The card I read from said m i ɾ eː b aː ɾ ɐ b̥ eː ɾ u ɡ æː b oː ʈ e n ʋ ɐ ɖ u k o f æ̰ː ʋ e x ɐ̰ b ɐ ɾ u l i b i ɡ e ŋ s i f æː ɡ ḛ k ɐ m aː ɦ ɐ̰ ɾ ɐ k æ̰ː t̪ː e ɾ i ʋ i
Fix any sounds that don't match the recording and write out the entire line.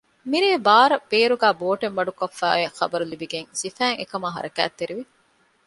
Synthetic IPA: m i ɾ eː b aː ɾ ɐ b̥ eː ɾ u ɡ æː b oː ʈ e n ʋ ɐ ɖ u k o fː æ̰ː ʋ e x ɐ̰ b ɐ ɾ u l i b i ɡ e ŋ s i f æː ŋ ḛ k ɐ m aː ɦ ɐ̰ ɾ ɐ k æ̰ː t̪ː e ɾ i ʋ i